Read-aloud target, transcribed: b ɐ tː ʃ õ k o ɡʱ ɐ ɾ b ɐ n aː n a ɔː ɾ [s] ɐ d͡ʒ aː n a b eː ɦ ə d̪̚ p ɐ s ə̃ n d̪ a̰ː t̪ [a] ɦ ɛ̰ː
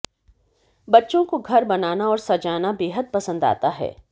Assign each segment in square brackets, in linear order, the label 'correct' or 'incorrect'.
correct, correct

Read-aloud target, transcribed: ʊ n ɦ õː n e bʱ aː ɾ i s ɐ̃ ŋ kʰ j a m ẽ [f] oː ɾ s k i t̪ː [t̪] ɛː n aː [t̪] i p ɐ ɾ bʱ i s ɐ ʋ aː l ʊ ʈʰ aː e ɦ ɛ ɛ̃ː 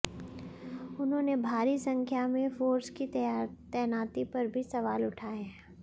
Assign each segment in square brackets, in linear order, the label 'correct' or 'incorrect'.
correct, correct, correct

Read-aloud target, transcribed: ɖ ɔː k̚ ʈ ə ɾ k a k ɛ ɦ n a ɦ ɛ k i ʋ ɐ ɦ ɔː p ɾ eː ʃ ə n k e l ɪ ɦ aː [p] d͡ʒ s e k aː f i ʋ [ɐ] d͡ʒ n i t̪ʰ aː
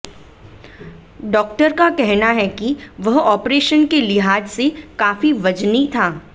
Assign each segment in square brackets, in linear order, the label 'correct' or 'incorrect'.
incorrect: none, correct

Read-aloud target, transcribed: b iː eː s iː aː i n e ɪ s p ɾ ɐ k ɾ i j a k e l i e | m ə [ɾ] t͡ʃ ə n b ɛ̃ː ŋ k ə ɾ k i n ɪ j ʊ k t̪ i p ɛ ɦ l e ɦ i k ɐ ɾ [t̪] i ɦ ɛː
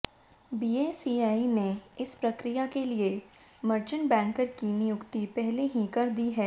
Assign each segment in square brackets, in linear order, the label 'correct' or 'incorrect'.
correct, incorrect: d̪

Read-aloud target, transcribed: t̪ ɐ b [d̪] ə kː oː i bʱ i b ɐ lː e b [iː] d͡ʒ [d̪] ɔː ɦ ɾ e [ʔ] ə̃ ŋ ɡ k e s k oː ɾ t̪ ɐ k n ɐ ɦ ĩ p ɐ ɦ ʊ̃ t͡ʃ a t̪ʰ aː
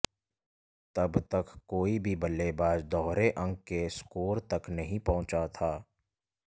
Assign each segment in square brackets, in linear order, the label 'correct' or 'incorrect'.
incorrect: t̪, incorrect: aː, correct, correct

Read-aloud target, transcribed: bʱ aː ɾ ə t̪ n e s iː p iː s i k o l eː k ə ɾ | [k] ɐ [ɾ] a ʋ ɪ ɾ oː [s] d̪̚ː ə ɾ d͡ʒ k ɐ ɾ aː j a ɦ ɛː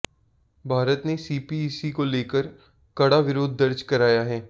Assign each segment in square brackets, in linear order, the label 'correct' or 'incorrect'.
correct, incorrect: ɽ, incorrect: none

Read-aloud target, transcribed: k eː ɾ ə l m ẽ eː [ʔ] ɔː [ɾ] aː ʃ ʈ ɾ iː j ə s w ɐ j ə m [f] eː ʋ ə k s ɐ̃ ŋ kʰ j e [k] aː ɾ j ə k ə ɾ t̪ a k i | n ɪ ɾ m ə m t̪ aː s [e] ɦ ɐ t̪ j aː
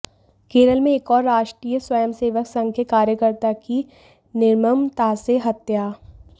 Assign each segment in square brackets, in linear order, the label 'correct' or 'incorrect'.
incorrect: k, incorrect: ɾː, incorrect: s, correct, correct

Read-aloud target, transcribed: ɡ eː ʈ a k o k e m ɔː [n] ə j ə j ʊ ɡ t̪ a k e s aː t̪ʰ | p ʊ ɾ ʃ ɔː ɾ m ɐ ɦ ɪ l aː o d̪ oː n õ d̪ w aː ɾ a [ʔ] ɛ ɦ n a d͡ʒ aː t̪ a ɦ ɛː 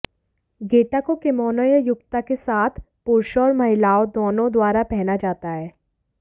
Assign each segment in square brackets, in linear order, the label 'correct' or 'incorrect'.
correct, incorrect: p

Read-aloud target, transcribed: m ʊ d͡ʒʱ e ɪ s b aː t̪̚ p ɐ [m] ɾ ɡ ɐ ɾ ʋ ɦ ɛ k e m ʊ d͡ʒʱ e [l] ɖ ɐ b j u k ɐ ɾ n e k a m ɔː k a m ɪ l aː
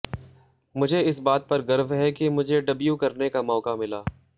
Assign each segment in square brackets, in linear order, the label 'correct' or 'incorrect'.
incorrect: none, incorrect: none

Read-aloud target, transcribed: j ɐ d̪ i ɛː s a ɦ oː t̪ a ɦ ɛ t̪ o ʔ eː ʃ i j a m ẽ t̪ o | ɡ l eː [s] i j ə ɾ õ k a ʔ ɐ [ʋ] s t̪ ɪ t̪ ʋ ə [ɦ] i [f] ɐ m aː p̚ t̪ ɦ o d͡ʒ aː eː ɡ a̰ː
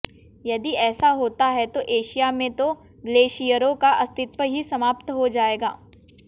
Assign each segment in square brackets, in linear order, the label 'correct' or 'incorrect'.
incorrect: ʃ, incorrect: none, correct, incorrect: s

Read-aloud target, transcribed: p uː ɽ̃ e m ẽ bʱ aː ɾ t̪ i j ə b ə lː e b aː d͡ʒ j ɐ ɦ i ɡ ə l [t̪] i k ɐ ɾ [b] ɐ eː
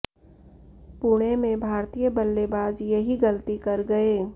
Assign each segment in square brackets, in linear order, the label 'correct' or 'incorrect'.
correct, incorrect: ɡ

